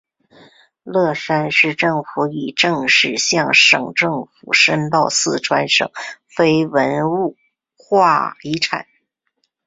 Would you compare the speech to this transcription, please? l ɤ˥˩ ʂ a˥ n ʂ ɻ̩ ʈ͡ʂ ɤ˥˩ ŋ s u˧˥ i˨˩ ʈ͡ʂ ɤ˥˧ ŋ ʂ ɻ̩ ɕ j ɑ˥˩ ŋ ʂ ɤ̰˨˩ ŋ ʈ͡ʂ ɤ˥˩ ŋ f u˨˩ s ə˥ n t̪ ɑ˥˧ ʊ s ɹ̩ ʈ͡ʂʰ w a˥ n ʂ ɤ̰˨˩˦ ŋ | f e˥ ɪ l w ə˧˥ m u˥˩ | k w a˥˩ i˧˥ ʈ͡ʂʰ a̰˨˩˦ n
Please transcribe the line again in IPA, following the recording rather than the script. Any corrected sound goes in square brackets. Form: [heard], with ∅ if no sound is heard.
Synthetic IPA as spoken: l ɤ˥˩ ʂ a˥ n ʂ ɻ̩ ʈ͡ʂ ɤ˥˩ ŋ [f] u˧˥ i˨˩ ʈ͡ʂ ɤ˥˧ ŋ ʂ ɻ̩ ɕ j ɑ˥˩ ŋ ʂ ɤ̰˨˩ ŋ ʈ͡ʂ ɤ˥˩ ŋ f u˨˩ [ʂ] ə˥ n t̪ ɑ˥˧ ʊ s ɹ̩ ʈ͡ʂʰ w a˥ n ʂ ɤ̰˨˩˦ ŋ | f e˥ ɪ [∅] w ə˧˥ [n] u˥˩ | [x] w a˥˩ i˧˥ ʈ͡ʂʰ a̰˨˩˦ n

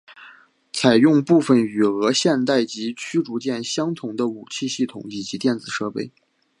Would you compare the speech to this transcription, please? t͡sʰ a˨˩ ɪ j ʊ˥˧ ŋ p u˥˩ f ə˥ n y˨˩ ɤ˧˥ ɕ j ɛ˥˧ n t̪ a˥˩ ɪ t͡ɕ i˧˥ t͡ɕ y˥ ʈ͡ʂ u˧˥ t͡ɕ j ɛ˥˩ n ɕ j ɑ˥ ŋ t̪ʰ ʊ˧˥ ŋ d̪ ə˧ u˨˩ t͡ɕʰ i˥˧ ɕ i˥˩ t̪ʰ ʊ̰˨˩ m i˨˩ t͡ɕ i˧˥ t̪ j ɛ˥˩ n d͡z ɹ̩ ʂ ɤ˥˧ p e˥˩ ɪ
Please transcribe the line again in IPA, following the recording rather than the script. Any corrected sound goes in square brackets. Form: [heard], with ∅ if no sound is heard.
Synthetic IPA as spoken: t͡sʰ a˨˩ ɪ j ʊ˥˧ ŋ p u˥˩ f [ə˨˩] n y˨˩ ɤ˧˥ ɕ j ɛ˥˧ n t̪ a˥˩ ɪ t͡ɕ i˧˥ [t͡ɕʰ] y˥ ʈ͡ʂ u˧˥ t͡ɕ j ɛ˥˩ n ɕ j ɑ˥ ŋ t̪ʰ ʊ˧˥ ŋ d̪ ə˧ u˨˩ t͡ɕʰ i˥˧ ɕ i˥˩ t̪ʰ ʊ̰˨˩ [ŋ] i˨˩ t͡ɕ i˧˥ t̪ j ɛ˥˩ n d͡z ɹ̩ ʂ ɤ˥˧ p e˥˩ ɪ

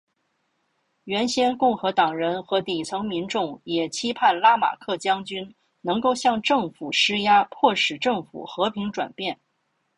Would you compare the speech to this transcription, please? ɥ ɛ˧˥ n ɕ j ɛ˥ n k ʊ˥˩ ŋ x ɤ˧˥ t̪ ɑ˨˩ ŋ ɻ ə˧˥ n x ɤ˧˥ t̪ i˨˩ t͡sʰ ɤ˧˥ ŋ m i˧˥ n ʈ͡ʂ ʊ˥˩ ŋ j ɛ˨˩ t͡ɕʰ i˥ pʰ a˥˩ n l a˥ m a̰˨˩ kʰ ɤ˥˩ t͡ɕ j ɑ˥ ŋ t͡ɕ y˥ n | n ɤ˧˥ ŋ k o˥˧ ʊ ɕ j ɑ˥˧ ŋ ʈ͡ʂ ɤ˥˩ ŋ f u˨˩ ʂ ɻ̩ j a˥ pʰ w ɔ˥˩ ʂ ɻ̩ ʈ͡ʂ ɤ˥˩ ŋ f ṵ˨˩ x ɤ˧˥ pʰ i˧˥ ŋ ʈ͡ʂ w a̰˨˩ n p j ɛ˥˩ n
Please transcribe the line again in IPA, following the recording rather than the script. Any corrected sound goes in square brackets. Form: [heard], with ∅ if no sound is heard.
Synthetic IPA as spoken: ɥ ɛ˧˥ n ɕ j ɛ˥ n k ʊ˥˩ ŋ x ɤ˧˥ t̪ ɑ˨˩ ŋ ɻ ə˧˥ n x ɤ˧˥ t̪ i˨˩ t͡sʰ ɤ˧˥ ŋ m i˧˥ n ʈ͡ʂ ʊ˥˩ ŋ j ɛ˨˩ t͡ɕʰ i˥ pʰ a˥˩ n l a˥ m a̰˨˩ kʰ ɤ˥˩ t͡ɕ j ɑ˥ ŋ t͡ɕ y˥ n | n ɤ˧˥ ŋ k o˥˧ ʊ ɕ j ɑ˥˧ ŋ ʈ͡ʂ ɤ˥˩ ŋ f u˨˩ ʂ ɻ̩ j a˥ pʰ w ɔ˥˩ ʂ ɻ̩ ʈ͡ʂ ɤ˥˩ ŋ f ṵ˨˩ x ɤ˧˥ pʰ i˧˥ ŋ ʈ͡ʂ w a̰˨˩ n p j ɛ˥˩ n

